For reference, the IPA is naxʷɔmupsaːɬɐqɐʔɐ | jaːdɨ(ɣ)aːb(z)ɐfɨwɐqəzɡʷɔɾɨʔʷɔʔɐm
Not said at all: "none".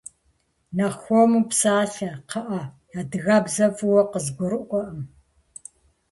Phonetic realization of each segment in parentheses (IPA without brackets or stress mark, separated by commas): ɣ, z